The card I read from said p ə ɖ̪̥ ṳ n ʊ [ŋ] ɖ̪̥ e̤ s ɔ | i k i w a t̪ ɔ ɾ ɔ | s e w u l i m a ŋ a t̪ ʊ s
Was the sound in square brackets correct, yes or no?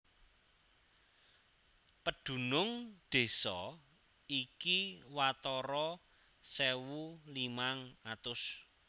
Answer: yes